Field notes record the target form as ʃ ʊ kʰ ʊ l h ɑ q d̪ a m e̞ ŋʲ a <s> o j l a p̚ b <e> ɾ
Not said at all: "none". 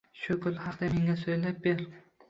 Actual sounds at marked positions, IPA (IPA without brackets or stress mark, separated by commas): s, e